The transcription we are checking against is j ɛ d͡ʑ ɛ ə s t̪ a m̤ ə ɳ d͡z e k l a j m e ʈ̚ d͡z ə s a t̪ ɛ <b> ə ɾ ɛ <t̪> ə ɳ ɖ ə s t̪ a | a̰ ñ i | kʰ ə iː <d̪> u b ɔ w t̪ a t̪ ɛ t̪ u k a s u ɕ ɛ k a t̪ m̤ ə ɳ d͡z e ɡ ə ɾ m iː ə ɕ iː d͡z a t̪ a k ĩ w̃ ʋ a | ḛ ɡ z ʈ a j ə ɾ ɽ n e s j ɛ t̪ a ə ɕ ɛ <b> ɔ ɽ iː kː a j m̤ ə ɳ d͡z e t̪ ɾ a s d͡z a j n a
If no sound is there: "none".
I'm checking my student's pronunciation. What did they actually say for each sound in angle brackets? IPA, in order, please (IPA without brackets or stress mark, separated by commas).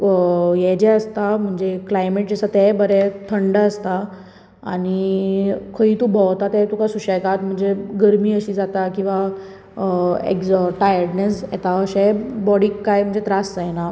b, t̪ʰ, t̪, b